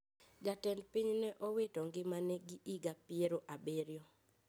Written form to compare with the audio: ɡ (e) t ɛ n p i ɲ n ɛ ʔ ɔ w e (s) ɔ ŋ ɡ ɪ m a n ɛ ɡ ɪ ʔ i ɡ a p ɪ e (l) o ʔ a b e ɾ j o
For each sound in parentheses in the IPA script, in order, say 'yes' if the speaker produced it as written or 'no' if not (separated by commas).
no, no, no